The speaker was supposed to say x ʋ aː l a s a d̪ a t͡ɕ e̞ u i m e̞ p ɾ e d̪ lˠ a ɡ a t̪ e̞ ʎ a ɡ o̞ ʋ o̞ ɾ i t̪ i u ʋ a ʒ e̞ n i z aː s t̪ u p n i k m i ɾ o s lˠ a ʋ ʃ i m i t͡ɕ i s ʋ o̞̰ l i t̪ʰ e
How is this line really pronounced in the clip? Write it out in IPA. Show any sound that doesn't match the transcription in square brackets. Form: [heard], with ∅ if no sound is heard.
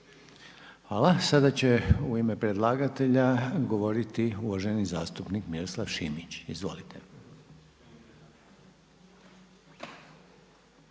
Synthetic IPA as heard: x ʋ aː l a s a d̪ a t͡ɕ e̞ u i m e̞ p ɾ e d̪ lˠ a ɡ a t̪ e̞ ʎ a ɡ o̞ ʋ o̞ ɾ i t̪ i u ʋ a ʒ e̞ n i z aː s t̪ u p n i k m i ɾ o s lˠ a ʋ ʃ i m i t͡ɕ i [z] ʋ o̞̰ l i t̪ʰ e

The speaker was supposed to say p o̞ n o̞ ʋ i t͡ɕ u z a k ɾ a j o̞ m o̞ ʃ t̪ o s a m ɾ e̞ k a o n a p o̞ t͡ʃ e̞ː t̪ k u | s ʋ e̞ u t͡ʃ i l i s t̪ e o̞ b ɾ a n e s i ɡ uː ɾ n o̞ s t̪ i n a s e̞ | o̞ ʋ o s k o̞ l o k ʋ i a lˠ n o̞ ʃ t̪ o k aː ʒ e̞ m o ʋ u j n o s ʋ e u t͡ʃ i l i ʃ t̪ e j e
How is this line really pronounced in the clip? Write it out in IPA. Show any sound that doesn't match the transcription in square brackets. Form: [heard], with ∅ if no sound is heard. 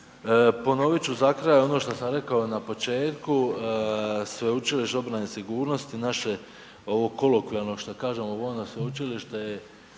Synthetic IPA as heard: p o̞ n o̞ ʋ i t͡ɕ u z a k ɾ a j o̞ [n] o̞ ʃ t̪ o s a m ɾ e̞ k a o n a p o̞ t͡ʃ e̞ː t̪ k u | s ʋ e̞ u t͡ʃ i l i [ʃ] t̪ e o̞ b ɾ a n e s i ɡ uː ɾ n o̞ s t̪ i n a [ʃ] e̞ | o̞ ʋ o [∅] k o̞ l o k ʋ i a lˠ n o̞ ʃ t̪ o k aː ʒ e̞ m o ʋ [o] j n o s ʋ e u t͡ʃ i l i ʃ t̪ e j e

